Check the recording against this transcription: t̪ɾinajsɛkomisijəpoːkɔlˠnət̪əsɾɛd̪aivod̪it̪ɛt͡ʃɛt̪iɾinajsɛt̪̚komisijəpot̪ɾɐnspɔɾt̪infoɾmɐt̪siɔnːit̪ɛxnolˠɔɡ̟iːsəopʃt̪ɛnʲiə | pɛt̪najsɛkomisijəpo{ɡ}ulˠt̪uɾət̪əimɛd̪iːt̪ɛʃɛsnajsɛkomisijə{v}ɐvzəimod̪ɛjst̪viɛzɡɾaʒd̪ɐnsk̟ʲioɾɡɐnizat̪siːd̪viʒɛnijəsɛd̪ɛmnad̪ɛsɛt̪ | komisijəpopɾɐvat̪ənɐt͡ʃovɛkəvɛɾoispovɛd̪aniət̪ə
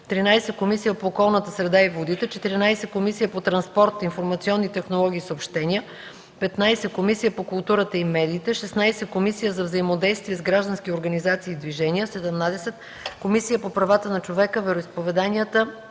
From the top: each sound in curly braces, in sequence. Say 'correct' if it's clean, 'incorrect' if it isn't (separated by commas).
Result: incorrect, incorrect